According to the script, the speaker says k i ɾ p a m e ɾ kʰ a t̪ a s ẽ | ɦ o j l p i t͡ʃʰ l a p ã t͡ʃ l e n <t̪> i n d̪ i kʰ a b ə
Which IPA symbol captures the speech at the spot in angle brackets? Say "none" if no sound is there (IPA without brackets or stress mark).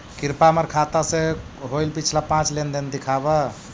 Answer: d̪